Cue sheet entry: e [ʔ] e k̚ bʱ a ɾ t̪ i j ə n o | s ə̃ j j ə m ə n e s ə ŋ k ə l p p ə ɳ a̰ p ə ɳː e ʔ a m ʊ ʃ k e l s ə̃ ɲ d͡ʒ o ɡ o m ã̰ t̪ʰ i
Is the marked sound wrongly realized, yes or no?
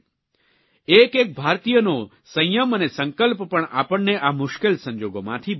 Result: yes